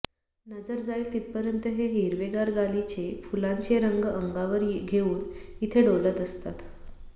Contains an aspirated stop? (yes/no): yes